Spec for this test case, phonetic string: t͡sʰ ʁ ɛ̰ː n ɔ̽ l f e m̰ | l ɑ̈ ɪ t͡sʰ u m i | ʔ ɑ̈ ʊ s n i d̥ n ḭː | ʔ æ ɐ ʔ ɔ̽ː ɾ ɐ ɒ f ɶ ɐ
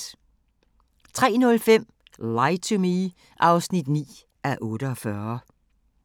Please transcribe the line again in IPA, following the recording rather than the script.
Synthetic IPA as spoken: t͡sʰ ʁ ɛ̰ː n ɔ̽ l f e m̰ | l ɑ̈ ɪ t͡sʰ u m i | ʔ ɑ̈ ʊ s n i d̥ n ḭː | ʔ æ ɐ ʔ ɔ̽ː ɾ ə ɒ f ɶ ɐ